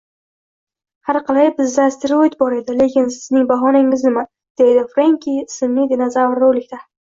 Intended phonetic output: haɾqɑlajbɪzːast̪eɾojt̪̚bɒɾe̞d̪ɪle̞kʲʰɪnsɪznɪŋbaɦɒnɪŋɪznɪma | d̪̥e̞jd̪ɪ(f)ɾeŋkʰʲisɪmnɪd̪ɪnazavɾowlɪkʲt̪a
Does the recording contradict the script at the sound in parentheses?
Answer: no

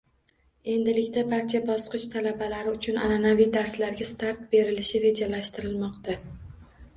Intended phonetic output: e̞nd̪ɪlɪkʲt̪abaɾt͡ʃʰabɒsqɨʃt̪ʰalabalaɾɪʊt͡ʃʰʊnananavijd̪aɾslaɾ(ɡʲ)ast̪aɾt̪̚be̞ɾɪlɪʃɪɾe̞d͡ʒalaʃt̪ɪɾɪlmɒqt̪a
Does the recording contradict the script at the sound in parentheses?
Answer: no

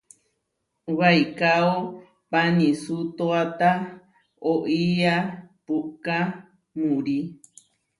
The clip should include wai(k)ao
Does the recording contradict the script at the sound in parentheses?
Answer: no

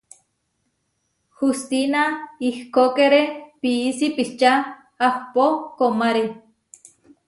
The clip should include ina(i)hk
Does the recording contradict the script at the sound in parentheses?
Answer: no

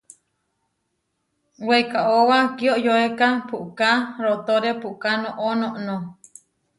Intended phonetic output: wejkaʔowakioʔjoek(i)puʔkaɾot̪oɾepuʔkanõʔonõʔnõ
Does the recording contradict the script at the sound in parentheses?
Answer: yes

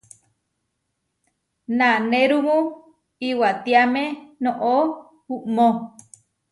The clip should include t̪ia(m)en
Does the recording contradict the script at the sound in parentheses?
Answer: no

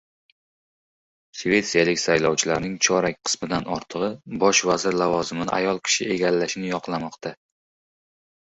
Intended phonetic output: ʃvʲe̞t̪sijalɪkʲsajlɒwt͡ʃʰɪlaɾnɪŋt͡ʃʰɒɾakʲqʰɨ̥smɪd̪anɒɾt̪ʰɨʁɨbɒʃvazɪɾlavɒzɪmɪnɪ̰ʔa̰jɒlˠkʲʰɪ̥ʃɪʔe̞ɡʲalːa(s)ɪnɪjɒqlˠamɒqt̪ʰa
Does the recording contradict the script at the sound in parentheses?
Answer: yes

